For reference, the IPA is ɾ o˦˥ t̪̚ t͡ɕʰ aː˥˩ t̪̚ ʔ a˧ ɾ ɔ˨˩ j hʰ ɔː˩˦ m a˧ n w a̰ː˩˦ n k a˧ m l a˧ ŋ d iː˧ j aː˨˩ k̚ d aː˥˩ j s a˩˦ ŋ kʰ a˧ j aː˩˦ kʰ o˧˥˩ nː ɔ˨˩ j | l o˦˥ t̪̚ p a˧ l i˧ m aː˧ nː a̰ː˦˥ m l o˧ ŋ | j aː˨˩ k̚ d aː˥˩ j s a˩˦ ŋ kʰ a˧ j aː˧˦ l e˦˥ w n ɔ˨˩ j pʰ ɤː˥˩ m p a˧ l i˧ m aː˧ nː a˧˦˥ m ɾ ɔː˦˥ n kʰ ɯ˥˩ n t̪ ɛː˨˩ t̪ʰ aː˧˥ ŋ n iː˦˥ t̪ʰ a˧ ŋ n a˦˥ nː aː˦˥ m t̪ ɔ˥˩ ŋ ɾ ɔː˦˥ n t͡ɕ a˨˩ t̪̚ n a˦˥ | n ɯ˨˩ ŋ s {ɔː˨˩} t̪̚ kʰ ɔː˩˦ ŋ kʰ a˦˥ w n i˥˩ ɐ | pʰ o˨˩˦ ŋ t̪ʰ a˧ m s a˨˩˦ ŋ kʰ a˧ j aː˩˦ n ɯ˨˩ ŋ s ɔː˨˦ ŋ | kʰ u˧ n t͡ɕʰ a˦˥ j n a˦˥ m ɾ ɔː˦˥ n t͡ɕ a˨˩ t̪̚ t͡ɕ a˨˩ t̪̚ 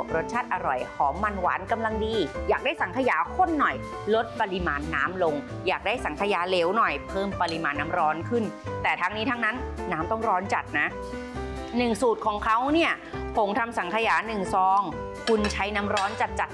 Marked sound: incorrect: uː˨˩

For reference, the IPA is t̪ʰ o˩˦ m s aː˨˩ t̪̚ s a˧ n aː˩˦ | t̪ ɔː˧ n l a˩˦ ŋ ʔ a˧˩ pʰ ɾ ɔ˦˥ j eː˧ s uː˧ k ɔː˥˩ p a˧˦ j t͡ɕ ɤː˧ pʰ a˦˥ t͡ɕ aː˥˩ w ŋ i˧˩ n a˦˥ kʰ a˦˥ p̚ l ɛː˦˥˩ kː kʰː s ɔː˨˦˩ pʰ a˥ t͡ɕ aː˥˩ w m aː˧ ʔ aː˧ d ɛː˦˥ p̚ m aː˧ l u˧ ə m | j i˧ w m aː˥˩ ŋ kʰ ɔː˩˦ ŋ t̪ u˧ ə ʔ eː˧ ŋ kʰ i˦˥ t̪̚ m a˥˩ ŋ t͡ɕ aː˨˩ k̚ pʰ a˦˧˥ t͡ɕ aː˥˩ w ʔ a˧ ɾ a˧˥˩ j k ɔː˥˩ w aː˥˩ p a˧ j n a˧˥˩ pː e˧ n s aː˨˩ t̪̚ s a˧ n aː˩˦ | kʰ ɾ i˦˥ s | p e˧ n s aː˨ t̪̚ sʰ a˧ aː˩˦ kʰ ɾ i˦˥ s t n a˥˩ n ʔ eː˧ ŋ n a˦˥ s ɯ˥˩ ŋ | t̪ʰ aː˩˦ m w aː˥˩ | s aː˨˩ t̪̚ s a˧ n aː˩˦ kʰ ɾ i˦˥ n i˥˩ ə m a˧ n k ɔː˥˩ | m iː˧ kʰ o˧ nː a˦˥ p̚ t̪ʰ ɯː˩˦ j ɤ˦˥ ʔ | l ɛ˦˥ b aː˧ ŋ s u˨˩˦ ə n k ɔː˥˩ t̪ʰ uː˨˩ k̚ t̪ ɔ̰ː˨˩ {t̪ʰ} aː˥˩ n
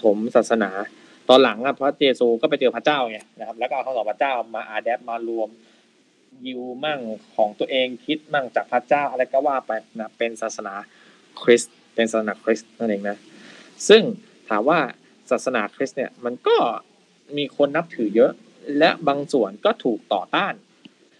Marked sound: incorrect: t̪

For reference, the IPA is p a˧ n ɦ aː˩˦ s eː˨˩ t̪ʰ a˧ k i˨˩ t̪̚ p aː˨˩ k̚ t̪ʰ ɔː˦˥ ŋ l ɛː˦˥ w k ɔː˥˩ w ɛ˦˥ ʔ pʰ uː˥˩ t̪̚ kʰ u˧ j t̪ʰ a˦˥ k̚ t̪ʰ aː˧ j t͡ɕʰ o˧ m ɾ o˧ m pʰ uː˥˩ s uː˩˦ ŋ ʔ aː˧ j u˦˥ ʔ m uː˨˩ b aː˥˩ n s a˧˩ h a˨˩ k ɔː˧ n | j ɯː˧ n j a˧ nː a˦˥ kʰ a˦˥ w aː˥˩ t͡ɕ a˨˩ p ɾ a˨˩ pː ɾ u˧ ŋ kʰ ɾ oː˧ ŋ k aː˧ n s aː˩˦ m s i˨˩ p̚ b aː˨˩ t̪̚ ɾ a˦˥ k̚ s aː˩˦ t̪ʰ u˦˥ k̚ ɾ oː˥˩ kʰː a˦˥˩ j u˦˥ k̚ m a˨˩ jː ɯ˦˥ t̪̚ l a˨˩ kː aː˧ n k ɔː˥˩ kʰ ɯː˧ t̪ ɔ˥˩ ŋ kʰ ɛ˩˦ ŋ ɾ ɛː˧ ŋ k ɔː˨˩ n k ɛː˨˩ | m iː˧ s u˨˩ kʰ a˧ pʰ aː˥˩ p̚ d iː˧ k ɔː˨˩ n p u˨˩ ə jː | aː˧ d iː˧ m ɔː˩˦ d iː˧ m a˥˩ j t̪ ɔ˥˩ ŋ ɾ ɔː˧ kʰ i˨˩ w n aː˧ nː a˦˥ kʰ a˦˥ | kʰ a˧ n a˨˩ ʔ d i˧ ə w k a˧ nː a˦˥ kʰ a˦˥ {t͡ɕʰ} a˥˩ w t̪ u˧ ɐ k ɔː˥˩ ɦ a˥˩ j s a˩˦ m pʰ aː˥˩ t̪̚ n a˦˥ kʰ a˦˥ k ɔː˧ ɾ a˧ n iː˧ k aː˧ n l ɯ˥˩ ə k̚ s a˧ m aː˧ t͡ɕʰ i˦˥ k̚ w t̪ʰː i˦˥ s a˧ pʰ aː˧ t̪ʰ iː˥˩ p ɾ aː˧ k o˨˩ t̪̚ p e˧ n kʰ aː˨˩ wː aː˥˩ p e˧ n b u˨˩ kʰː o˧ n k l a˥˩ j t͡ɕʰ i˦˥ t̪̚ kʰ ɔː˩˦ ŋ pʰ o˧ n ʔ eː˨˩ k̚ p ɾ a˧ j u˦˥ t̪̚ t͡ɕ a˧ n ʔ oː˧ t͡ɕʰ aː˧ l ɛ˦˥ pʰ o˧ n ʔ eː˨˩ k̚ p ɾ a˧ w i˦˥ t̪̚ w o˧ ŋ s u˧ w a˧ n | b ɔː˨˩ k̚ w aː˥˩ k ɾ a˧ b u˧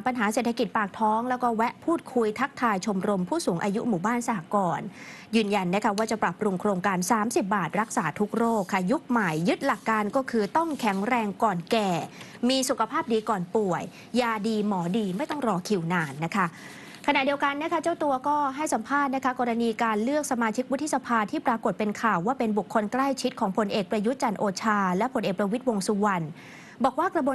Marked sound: incorrect: t͡ɕ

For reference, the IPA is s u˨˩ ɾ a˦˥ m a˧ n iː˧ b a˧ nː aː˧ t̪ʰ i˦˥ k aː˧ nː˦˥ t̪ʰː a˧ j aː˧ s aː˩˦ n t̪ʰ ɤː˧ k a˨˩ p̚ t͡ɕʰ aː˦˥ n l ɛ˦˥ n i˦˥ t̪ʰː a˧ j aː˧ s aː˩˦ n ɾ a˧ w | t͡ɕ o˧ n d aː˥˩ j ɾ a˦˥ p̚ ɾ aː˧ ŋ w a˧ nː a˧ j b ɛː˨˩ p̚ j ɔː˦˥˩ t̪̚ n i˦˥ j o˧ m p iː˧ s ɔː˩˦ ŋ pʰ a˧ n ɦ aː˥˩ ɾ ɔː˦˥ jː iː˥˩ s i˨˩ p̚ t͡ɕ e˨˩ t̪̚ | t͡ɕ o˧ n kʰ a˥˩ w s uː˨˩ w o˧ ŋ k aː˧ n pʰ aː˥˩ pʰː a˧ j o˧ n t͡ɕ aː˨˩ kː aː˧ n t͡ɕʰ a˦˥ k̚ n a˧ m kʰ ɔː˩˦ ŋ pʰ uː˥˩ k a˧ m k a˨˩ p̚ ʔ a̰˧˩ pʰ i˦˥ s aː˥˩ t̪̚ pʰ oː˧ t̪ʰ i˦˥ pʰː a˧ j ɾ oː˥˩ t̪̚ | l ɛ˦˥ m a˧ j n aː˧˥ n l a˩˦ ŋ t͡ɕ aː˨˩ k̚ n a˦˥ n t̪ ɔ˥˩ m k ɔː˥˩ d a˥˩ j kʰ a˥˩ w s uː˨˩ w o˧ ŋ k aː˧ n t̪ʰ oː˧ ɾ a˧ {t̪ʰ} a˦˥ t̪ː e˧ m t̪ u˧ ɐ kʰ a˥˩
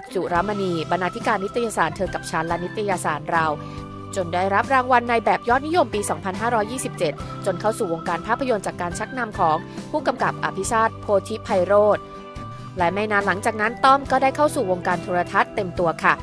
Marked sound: correct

